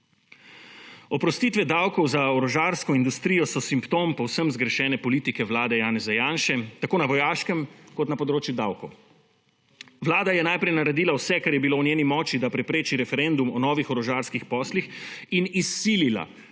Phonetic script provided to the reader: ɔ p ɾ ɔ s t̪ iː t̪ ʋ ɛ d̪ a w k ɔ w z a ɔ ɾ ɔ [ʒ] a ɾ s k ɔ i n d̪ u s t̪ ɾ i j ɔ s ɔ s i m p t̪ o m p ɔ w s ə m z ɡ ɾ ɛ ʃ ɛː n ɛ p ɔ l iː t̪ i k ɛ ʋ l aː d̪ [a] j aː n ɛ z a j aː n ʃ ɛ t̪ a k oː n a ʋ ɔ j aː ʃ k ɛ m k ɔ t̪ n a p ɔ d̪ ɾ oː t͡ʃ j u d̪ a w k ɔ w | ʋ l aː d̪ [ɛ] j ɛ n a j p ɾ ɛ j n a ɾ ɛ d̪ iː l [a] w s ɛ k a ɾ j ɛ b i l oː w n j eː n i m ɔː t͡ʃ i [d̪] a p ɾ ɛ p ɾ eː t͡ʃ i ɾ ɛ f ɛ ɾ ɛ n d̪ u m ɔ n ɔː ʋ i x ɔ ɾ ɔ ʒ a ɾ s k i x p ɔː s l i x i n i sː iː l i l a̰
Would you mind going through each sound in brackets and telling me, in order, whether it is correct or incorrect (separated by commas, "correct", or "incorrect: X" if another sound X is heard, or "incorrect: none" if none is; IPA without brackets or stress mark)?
correct, incorrect: ɛ, incorrect: a, correct, correct